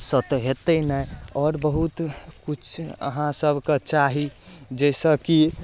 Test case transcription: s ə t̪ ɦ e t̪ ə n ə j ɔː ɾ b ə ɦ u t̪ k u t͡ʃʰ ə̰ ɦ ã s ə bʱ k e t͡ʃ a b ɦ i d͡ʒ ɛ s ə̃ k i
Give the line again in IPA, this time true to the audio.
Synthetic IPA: s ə t̪ ɦ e t̪ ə n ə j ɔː ɾ b ə ɦ u t̪ k u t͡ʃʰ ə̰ ɦ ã s ə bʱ k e t͡ʃ a ɦ i d͡ʒ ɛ s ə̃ k i